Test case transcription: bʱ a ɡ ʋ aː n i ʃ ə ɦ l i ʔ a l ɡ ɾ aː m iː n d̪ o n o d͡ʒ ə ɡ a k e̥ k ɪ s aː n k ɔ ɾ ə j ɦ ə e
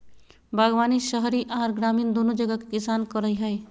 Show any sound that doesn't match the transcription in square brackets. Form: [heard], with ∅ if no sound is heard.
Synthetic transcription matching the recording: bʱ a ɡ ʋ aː n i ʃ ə ɦ [ɾ] i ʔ a [ɾ] ɡ ɾ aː m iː n d̪ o n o d͡ʒ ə ɡ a k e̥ k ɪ s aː n k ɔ ɾ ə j ɦ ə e